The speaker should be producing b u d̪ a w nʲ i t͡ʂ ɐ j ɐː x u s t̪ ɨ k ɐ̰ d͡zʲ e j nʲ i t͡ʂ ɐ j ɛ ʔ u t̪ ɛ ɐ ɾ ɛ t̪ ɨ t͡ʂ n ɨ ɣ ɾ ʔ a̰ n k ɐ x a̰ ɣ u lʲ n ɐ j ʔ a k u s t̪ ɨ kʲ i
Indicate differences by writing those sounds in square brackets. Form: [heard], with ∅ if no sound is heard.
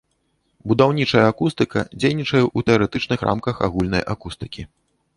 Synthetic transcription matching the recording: b u d̪ a w nʲ i t͡ʂ ɐ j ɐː [k] u s t̪ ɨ k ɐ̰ d͡zʲ e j nʲ i t͡ʂ ɐ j ɛ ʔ u t̪ ɛ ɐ ɾ ɛ t̪ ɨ t͡ʂ n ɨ [x] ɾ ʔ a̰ [m] k ɐ x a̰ ɣ u lʲ n ɐ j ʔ a k u s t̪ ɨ kʲ i